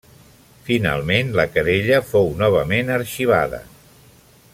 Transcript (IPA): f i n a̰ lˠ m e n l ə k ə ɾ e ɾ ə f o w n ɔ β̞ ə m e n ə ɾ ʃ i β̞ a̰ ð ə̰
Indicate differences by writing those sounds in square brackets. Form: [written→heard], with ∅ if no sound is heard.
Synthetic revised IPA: f i n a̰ lˠ m e n l ə k ə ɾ e [ɾ→ʎ] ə f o w n ɔ β̞ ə m e n ə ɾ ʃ i β̞ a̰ ð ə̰